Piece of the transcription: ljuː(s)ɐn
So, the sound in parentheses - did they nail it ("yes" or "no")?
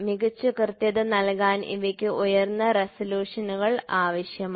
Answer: no